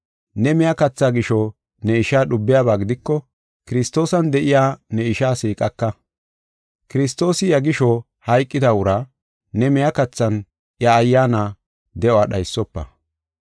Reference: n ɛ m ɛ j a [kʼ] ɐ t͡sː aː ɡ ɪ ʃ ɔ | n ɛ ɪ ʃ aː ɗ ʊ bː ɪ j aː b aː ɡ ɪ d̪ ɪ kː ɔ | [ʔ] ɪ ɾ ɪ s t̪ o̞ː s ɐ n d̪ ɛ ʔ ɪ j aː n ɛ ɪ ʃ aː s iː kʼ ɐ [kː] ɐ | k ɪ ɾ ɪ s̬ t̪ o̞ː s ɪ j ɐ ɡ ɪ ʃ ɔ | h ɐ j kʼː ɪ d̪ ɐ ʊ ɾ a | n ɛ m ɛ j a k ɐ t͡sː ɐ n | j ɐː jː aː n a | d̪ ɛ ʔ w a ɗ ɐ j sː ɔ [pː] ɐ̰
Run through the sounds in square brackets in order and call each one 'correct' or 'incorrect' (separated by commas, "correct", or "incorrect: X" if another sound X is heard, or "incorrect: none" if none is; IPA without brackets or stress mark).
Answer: incorrect: k, incorrect: k, correct, correct